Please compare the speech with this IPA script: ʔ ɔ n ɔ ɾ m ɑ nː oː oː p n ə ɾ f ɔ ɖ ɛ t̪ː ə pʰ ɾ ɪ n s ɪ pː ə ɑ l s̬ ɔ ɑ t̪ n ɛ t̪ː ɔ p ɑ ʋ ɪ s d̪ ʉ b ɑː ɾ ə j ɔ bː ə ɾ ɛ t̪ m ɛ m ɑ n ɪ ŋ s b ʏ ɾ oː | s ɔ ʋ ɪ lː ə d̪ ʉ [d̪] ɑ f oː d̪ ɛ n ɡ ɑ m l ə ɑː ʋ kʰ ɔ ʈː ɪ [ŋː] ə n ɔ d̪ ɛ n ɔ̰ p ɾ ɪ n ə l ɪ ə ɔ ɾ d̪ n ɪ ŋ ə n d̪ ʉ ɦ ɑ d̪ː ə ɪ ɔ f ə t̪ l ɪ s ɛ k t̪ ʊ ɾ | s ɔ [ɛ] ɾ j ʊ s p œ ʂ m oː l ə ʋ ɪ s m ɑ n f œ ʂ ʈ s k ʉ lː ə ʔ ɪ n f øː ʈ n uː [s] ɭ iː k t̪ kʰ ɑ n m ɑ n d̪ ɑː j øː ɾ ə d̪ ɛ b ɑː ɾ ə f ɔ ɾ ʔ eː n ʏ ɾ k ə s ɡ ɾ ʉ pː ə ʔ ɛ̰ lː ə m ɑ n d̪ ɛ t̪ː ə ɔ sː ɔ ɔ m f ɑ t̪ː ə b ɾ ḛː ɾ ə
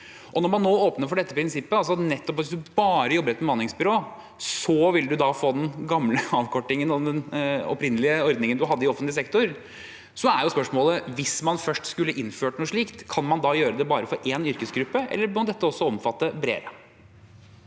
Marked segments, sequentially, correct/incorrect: correct, incorrect: ŋ, incorrect: æ, incorrect: ʂ

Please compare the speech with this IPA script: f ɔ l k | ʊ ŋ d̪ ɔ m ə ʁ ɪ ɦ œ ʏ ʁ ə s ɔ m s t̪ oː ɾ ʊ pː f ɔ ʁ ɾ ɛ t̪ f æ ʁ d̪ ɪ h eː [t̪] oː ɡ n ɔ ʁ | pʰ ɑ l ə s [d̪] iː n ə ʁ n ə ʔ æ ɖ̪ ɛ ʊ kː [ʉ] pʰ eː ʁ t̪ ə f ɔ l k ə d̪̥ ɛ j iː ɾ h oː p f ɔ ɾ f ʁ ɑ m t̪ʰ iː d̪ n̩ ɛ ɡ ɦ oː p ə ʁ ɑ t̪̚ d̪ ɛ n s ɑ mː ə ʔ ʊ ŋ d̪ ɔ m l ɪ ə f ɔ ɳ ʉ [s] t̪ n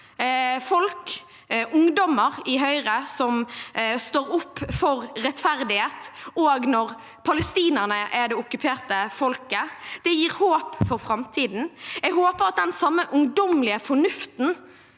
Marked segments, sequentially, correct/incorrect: correct, incorrect: t̪, correct, incorrect: f

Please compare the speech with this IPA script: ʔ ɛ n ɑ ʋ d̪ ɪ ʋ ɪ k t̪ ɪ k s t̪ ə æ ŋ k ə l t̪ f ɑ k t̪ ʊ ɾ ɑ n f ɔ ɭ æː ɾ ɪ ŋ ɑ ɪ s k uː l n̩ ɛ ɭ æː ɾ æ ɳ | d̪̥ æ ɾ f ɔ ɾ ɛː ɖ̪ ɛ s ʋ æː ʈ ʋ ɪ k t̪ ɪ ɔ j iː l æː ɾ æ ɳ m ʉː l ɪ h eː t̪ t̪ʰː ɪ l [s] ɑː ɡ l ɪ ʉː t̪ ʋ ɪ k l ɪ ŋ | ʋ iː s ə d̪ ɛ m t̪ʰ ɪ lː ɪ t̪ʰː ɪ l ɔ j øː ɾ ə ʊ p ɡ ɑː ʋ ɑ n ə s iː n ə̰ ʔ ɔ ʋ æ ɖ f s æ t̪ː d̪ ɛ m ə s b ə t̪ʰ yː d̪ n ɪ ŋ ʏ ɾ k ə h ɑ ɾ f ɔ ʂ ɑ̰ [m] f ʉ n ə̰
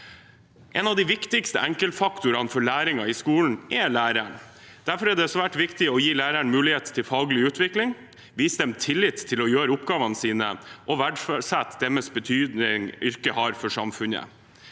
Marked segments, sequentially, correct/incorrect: incorrect: f, correct

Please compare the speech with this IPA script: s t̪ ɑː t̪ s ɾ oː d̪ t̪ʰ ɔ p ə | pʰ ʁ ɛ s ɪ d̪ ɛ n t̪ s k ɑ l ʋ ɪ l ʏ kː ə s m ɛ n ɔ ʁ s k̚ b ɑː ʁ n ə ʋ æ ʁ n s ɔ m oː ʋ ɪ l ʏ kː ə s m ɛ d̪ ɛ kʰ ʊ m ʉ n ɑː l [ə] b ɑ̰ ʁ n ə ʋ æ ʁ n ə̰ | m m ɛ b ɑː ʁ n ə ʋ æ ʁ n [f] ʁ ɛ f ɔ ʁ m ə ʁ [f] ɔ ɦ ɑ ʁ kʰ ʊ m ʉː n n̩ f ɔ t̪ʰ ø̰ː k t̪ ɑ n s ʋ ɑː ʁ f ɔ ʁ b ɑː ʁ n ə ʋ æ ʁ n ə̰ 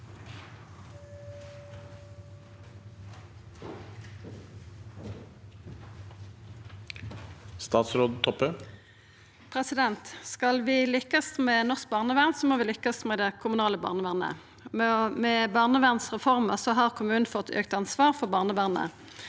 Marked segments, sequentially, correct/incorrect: correct, incorrect: s, incorrect: s

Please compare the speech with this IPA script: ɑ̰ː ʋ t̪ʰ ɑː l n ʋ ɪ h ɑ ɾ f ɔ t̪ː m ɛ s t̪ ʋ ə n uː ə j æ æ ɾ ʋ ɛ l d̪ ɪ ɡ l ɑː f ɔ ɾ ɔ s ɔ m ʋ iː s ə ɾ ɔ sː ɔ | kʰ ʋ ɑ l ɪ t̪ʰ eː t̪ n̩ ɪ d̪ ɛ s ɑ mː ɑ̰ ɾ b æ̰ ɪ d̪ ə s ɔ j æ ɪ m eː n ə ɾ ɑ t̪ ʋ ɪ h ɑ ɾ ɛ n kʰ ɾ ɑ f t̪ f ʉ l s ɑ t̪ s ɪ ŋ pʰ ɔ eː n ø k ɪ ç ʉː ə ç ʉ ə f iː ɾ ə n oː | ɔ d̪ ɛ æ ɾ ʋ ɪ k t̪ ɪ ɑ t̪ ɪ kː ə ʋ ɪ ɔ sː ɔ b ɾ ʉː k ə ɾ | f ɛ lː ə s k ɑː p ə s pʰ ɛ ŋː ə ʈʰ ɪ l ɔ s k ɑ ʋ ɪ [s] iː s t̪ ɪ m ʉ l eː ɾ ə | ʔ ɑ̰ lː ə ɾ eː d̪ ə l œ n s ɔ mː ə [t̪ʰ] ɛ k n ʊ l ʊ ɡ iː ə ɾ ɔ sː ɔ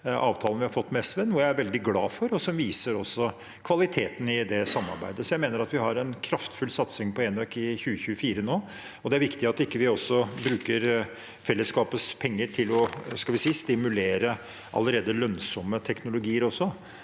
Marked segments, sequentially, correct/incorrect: correct, correct

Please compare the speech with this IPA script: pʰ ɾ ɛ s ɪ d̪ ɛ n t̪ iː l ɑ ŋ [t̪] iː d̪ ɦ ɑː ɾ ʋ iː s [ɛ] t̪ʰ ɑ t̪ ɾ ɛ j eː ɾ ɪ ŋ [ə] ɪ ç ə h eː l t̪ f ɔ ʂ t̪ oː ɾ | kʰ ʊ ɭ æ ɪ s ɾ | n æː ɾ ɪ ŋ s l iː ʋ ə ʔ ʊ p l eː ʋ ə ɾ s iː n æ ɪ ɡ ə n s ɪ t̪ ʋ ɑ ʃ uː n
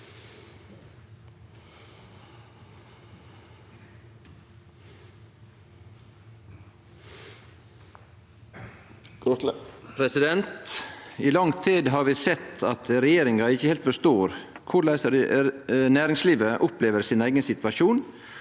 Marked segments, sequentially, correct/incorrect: incorrect: t̪ʰ, correct, incorrect: ɑ

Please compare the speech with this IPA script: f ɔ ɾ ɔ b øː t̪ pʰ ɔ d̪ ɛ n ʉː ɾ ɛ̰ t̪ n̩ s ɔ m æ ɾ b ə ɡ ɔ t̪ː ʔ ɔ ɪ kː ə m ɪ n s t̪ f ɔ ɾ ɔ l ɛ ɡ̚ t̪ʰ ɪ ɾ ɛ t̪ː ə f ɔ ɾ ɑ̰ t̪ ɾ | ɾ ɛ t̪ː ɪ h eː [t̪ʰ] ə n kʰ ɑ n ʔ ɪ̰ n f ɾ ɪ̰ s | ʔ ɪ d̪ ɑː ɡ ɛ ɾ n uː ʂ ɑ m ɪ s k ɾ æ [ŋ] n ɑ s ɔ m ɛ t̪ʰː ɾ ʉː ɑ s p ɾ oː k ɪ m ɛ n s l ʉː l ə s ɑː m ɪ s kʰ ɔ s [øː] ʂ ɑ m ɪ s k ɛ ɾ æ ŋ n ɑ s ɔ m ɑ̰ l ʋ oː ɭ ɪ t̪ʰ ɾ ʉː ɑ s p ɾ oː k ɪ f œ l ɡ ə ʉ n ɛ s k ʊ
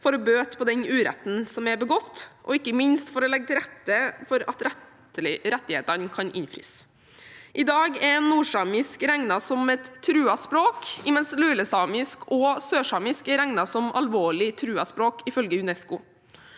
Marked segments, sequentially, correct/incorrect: incorrect: t̪, correct, correct

